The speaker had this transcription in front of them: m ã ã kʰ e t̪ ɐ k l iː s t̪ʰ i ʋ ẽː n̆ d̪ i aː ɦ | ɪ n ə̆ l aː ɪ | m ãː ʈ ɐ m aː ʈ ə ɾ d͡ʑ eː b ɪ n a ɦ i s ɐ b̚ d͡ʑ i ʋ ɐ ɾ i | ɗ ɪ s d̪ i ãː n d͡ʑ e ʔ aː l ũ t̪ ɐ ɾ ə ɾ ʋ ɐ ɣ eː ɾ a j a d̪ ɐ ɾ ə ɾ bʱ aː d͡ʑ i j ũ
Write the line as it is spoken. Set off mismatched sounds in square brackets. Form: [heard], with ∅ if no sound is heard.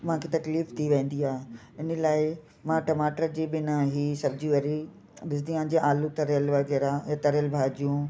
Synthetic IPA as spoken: m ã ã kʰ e t̪ ɐ k l iː [f] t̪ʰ i ʋ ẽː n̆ d̪ i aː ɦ | ɪ n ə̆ l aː ɪ | m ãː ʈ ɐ m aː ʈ ə ɾ d͡ʑ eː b ɪ n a ɦ i s ɐ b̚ d͡ʑ i ʋ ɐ ɾ i | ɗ ɪ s d̪ i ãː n d͡ʑ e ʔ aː l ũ t̪ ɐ ɾ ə [l] ʋ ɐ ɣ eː ɾ a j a [t̪] ɐ ɾ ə [l] bʱ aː d͡ʑ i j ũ